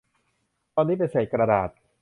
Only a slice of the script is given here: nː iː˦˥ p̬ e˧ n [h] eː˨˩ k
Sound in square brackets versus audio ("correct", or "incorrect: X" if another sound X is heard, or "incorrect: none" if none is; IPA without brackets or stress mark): incorrect: s